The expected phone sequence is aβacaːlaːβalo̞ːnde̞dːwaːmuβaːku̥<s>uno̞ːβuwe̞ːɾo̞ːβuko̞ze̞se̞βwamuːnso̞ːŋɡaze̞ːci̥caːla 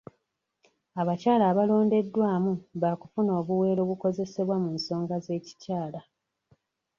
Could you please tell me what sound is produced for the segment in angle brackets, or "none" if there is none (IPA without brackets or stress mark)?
f